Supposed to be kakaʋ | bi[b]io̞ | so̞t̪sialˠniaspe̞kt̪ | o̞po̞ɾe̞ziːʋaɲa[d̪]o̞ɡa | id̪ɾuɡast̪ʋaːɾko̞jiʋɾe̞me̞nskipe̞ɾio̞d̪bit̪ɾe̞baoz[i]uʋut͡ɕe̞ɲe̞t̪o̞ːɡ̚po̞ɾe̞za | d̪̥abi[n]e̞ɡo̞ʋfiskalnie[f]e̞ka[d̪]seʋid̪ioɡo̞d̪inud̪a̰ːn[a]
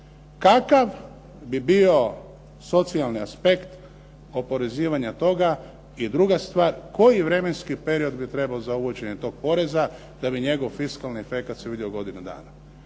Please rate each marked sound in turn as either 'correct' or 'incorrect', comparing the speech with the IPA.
correct, incorrect: t̪, incorrect: a, incorrect: ɲ, correct, incorrect: t̪, correct

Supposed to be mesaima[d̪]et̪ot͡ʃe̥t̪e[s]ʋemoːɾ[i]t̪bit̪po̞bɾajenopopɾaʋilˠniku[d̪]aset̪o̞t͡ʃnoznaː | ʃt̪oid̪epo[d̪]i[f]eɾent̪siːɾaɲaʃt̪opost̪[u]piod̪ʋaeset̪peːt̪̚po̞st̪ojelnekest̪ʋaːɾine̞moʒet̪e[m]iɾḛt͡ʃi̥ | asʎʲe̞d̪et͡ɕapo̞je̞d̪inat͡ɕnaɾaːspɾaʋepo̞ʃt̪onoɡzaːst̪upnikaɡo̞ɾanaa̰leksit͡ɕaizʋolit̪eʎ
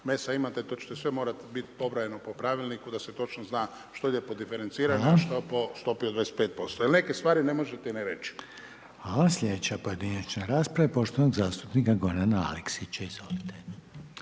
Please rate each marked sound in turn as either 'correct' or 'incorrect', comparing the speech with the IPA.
incorrect: t̪, correct, incorrect: a, correct, correct, correct, incorrect: o, incorrect: n

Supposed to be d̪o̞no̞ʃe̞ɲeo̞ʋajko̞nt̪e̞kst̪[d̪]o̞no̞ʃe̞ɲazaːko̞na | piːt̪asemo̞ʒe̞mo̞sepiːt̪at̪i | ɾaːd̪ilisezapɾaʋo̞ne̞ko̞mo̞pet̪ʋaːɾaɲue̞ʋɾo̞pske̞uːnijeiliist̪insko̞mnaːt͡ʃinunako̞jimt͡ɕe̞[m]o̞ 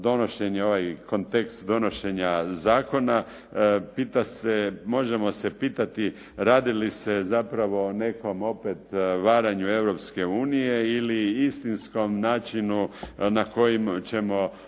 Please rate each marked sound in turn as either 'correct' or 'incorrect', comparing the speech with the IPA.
correct, correct

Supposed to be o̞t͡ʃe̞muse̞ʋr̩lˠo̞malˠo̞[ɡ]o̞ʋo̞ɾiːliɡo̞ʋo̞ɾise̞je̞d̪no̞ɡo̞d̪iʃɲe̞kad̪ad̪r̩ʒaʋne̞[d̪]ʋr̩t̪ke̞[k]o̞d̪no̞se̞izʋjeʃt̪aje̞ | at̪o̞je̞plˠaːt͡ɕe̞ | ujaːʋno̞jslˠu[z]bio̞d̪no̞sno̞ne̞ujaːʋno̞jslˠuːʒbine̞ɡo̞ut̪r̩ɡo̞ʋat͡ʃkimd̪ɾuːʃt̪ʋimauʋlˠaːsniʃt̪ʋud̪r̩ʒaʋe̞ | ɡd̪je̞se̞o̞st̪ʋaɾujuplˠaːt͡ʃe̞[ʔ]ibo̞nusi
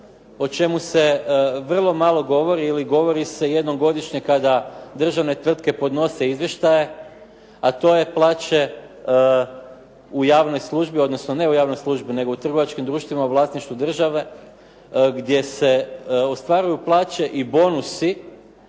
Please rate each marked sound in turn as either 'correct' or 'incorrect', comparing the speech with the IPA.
correct, incorrect: t̪, incorrect: p, incorrect: ʒ, correct

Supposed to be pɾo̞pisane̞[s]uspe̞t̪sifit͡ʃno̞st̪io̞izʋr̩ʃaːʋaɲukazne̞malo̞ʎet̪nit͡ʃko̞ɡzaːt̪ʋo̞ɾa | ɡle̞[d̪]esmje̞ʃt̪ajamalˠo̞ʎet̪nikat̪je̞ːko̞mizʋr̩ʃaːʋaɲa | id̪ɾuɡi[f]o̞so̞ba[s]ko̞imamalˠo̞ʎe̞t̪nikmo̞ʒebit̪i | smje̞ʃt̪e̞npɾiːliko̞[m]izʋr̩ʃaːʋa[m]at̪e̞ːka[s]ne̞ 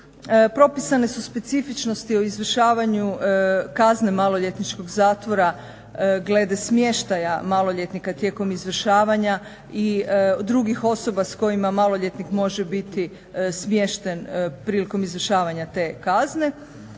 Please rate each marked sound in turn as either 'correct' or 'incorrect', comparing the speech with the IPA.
correct, correct, incorrect: x, correct, correct, incorrect: ɲ, incorrect: z

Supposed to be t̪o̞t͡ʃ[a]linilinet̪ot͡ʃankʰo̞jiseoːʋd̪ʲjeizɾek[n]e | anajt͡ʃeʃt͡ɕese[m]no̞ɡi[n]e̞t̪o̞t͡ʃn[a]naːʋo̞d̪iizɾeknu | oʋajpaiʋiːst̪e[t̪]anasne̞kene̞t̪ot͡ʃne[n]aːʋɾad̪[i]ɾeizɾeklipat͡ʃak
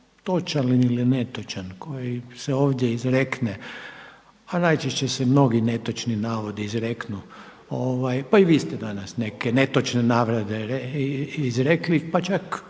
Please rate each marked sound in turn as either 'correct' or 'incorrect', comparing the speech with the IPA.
correct, correct, correct, correct, incorrect: i, incorrect: d̪, correct, incorrect: e

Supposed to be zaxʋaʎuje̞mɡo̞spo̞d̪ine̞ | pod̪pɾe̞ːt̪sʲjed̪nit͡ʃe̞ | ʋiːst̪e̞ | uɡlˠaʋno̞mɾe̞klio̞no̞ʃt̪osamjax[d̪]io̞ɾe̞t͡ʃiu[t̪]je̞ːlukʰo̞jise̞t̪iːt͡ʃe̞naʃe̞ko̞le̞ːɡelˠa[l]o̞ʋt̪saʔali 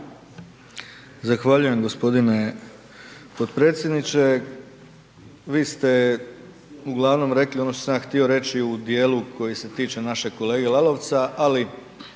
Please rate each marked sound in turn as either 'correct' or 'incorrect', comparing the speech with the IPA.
incorrect: t̪, incorrect: d̪, correct

